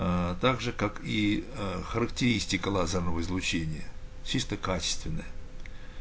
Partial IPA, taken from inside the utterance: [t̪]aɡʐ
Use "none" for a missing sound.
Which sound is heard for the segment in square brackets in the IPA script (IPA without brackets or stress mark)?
t̪